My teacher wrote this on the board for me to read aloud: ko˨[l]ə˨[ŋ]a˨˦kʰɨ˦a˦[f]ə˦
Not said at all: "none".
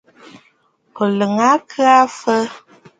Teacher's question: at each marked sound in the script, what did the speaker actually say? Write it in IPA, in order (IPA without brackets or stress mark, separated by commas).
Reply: l, ŋ, f